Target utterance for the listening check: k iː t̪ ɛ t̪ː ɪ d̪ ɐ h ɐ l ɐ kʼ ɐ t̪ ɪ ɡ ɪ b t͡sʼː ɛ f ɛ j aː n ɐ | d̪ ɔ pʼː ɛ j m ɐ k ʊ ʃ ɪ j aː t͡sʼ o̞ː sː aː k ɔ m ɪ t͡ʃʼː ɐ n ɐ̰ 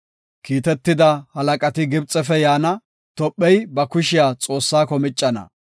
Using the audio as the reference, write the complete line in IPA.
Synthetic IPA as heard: k iː t̪ ɛ t̪ː ɪ d̪ ɐ h ɐ l ɐ kʼ ɐ t̪ ɪ ɡ ɪ b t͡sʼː ɛ f ɛ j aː n ɐ | t̪ ɔ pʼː ɛ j b ɐ k ʊ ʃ ɪ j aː t͡sʼ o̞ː sː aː k ɔ m ɪ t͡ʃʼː ɐ n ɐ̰